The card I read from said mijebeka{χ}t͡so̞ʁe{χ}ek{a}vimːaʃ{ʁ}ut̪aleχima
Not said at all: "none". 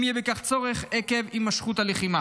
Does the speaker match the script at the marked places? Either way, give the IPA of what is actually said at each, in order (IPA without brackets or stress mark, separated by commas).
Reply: χ, χ, e, χ